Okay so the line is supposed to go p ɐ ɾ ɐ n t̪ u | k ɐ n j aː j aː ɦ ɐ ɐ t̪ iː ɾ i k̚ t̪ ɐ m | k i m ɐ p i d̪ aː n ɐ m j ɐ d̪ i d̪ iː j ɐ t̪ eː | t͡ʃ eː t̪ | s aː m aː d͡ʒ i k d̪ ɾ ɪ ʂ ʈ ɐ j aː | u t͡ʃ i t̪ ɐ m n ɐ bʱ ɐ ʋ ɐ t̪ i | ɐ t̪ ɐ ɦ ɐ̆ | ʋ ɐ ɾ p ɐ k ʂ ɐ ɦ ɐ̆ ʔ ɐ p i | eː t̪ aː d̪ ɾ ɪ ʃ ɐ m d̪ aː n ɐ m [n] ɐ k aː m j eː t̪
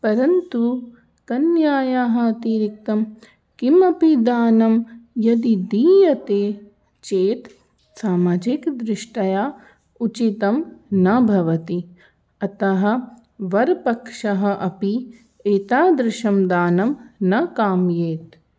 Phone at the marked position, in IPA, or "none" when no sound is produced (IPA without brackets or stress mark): n